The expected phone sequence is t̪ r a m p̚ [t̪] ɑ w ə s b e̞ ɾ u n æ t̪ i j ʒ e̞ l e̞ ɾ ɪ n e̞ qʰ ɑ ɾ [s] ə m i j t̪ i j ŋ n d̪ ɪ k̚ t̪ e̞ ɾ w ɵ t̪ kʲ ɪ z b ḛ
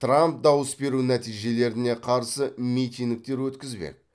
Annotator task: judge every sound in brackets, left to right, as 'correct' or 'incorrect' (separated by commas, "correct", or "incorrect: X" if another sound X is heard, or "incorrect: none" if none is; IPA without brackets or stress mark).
incorrect: d̪, correct